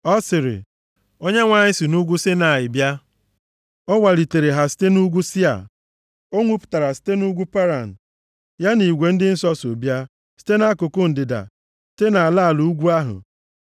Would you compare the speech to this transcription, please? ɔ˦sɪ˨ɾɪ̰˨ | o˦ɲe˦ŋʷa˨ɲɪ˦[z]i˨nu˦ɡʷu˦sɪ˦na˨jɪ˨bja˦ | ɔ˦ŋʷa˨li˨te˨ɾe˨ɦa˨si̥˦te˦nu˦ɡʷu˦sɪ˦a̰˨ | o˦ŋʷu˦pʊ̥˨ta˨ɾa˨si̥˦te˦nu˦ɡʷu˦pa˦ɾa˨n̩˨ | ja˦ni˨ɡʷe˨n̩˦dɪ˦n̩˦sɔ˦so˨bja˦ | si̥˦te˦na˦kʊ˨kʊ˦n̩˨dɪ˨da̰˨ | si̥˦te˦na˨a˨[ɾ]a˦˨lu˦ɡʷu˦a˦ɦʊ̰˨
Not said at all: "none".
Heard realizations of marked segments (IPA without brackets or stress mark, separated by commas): s, l